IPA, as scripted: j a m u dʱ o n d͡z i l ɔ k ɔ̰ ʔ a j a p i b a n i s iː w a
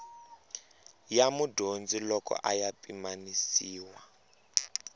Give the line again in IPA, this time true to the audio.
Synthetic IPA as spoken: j a m u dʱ o n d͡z i l ɔ k ɔ̰ ʔ a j a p i m a n i s iː w a